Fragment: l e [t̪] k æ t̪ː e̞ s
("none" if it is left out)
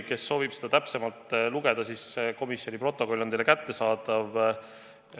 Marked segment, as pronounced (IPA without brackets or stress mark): none